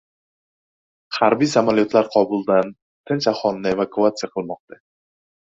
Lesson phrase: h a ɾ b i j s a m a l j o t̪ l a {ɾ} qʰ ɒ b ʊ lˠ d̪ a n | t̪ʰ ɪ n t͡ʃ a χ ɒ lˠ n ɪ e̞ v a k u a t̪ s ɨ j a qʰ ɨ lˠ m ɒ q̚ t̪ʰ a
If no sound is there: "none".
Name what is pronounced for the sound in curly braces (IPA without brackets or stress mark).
ɾ